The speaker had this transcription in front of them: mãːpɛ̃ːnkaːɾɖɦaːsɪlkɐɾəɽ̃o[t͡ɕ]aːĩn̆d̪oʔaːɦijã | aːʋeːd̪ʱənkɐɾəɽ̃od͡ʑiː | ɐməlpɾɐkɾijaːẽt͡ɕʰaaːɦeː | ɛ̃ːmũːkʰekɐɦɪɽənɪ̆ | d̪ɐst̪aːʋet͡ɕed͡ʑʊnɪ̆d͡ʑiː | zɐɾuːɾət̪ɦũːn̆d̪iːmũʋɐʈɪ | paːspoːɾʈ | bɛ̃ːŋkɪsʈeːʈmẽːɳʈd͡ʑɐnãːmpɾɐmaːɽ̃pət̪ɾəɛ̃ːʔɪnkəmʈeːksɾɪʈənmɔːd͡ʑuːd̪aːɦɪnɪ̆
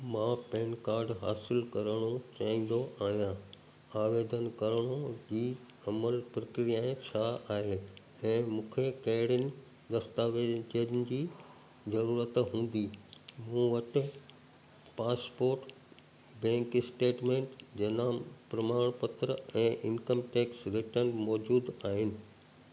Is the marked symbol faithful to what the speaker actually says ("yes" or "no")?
yes